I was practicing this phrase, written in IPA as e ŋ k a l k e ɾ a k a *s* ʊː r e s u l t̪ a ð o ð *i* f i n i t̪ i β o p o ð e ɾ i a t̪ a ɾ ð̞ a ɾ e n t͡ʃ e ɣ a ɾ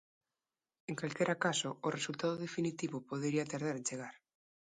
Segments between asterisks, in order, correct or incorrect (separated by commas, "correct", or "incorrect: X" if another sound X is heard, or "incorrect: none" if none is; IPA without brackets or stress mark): correct, incorrect: e